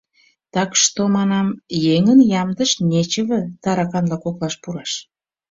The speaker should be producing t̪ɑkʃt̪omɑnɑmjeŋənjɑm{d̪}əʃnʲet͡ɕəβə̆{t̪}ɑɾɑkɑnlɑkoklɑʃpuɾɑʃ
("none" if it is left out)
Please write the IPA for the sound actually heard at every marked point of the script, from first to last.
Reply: d̪, t̪

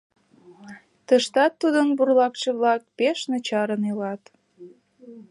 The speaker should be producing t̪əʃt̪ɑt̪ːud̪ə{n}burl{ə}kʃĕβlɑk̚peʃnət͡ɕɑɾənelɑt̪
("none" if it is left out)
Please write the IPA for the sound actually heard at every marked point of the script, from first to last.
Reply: n, ɑ

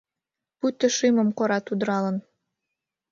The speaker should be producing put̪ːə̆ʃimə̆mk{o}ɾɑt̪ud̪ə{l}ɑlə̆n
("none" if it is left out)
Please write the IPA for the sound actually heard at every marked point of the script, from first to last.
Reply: o, ɾ

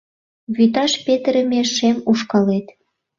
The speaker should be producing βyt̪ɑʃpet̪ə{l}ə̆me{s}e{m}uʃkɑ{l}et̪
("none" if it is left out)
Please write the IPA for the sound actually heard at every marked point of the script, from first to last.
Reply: ɾ, ʃ, m, l

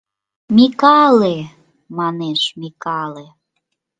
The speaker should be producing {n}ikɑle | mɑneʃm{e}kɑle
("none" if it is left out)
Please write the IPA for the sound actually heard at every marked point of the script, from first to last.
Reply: m, i

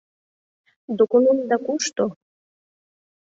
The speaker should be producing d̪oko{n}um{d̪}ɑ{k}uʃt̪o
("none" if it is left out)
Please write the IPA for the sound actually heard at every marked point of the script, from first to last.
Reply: n, d̪, k

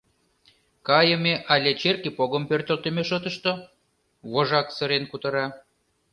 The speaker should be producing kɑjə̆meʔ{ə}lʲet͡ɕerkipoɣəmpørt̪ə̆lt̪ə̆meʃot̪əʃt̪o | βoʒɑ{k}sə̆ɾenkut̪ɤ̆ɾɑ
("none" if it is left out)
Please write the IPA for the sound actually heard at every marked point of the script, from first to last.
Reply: ɑ, k

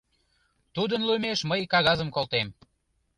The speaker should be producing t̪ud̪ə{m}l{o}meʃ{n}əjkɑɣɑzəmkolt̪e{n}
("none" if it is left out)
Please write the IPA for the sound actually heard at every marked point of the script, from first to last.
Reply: n, u, m, m

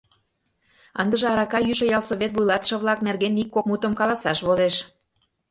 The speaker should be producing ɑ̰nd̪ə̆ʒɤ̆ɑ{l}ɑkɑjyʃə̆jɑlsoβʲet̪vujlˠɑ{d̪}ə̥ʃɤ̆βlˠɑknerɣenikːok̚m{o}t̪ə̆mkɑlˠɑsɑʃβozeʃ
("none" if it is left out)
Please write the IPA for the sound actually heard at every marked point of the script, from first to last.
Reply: ɾ, t̪, u

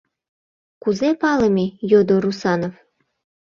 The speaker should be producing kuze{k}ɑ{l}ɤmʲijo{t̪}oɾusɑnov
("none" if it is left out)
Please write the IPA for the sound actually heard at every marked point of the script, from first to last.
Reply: p, l, d̪

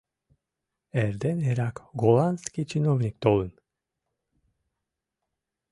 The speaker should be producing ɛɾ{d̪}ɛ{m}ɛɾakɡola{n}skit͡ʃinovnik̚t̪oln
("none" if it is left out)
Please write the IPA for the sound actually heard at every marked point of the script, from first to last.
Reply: d̪, n, n

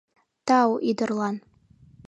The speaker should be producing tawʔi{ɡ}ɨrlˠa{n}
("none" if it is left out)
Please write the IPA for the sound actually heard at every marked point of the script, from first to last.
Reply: d, n

